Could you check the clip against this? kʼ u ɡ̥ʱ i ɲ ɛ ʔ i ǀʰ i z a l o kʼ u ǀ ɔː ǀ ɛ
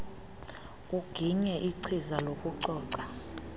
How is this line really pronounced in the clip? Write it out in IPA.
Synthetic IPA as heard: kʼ u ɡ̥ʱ i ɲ ɛ ʔ i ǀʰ i z a l o kʼ u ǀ ɔː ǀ a